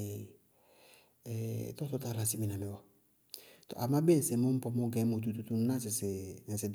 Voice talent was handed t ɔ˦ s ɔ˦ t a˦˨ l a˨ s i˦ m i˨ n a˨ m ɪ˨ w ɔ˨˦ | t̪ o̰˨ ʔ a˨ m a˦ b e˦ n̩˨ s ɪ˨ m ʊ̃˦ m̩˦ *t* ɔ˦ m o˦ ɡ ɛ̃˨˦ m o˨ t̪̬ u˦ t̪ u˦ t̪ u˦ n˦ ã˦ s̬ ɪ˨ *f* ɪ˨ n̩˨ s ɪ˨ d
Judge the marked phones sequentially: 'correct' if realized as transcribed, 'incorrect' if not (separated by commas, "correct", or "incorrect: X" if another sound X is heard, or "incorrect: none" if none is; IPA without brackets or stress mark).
incorrect: p, incorrect: s